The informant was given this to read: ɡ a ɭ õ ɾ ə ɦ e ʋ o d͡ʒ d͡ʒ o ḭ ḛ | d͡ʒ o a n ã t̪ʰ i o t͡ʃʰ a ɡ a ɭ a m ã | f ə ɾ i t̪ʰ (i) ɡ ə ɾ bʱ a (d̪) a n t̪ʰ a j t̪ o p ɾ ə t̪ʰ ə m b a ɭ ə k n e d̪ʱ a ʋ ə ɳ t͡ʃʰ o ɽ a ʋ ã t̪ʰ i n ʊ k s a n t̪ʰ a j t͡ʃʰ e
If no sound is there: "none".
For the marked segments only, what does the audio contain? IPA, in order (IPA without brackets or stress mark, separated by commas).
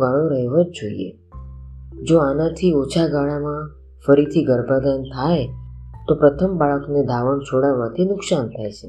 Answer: i, d̪